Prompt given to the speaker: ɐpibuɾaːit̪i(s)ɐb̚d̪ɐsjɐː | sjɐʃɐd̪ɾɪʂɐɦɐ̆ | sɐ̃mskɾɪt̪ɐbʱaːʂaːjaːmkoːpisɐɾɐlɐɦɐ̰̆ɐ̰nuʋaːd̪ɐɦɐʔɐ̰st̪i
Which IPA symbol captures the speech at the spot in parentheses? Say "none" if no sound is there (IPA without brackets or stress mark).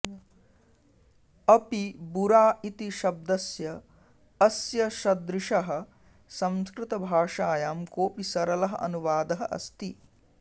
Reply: ʃ